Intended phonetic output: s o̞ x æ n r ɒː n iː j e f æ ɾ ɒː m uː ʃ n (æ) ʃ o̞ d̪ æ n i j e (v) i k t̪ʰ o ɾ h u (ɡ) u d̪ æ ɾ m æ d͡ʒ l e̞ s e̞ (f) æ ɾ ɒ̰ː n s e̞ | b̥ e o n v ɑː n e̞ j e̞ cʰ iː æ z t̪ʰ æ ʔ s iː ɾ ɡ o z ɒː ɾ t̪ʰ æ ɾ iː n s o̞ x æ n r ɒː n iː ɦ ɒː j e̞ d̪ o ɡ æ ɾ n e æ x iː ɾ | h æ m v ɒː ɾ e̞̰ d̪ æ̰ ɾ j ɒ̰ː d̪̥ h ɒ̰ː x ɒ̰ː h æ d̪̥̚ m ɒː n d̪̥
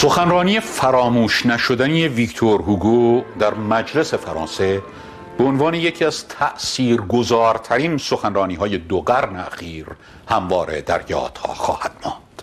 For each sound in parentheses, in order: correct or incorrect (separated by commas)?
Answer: correct, correct, correct, correct